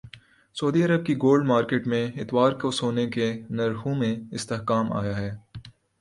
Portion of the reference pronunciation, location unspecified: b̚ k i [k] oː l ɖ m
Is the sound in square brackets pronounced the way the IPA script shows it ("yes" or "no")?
no